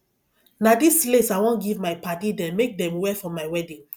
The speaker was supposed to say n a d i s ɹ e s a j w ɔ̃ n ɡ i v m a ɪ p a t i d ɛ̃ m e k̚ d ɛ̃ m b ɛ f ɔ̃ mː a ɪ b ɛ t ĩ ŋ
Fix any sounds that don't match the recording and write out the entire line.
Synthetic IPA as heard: n a d i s l e s a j w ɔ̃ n ɡ i v m a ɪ p a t i d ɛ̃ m e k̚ d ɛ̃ m w ɛ f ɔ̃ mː a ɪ w ɛ d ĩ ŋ